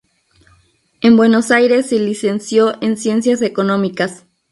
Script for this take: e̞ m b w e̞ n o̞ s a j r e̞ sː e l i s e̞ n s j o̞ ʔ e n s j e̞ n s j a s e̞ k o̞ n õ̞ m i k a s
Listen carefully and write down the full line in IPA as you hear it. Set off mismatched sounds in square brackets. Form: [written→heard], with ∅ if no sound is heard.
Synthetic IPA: e̞ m b w e̞ n o̞ s a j [r→ɾ] e̞ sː e l i s e̞ n s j o̞ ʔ e n s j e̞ n s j a s e̞ k o̞ n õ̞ m i k a s